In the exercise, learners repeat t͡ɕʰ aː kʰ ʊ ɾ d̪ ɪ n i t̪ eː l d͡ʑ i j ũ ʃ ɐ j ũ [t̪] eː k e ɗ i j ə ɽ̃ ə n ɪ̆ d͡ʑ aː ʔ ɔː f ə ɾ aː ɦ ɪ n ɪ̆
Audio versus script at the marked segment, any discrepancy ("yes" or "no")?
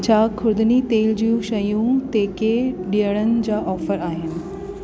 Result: no